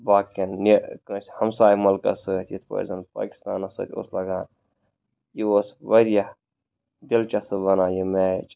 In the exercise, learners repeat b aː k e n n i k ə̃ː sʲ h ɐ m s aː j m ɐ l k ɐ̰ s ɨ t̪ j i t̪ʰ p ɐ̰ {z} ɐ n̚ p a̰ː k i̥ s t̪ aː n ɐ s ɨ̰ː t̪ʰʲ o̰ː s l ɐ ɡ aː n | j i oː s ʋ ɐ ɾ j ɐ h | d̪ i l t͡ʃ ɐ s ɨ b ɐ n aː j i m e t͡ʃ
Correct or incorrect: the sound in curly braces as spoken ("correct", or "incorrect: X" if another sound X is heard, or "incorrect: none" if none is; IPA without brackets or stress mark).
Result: correct